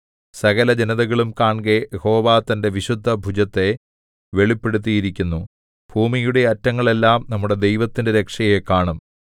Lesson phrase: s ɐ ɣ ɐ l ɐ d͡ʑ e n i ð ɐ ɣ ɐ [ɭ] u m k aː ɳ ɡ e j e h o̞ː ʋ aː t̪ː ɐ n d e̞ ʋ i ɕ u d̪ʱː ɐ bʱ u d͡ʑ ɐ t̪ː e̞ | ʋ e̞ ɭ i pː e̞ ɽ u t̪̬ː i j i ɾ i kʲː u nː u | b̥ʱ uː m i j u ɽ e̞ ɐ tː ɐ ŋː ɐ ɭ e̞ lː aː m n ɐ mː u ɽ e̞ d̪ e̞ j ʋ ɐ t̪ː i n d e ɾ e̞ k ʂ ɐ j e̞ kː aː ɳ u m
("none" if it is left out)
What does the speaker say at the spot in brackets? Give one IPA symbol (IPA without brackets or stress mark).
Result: ɭ